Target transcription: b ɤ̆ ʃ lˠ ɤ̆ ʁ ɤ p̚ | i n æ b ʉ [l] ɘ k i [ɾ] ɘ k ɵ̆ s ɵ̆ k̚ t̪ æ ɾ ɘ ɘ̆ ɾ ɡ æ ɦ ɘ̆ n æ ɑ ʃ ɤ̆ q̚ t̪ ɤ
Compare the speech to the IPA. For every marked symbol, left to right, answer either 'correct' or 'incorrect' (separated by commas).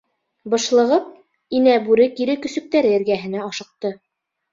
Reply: incorrect, correct